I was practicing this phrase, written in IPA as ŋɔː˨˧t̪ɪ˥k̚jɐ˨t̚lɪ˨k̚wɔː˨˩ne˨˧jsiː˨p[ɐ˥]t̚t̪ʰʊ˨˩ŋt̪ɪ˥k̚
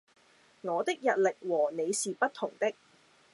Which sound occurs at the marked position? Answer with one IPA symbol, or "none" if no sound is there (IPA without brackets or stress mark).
ɐ˥